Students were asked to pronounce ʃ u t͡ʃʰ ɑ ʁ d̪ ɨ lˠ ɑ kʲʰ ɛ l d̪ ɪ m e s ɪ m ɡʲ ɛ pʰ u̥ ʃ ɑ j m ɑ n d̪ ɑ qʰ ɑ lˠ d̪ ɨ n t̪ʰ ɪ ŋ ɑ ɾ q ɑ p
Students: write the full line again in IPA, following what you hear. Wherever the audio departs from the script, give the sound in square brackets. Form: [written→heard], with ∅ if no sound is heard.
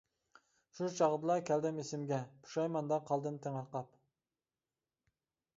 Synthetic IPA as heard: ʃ u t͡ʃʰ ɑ ʁ d̪ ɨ lˠ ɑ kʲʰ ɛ l d̪ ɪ m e s ɪ m ɡʲ ɛ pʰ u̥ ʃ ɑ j m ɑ n d̪ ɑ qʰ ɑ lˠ d̪ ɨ n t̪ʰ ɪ ŋ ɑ ɾ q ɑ p